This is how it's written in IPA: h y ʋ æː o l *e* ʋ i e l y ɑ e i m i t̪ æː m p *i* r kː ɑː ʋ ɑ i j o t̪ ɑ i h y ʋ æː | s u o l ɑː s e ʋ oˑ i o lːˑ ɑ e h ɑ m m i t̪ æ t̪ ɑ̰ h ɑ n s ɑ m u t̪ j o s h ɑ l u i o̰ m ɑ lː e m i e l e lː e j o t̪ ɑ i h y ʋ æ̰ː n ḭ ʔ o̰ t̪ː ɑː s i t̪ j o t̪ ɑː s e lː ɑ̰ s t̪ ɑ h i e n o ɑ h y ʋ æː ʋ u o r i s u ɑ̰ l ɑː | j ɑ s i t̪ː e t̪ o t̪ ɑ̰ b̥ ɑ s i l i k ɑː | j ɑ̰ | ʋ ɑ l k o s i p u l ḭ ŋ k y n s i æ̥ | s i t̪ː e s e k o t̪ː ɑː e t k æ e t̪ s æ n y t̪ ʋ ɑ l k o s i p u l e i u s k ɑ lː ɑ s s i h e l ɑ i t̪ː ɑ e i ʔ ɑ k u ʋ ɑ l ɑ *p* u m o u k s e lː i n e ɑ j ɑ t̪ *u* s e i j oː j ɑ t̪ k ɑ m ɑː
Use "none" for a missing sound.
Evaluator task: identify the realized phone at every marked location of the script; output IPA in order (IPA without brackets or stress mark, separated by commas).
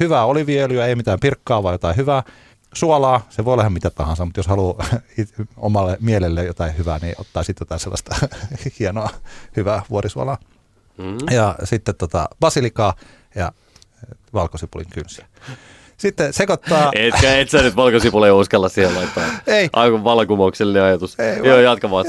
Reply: i, i, k, u